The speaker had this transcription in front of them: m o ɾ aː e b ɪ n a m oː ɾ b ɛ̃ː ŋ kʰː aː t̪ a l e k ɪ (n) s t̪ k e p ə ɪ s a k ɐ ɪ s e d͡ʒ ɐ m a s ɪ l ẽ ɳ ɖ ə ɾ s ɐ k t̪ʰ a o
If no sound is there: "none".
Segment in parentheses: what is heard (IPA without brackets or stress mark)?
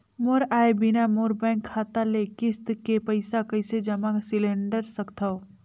none